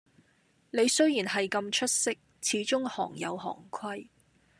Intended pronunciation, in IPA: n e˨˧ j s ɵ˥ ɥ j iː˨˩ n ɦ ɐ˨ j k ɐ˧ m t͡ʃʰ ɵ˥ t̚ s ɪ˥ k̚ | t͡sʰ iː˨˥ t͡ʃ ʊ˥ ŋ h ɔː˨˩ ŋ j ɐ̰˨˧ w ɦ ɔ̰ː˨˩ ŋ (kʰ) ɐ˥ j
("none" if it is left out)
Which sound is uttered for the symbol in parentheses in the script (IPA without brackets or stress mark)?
kʰ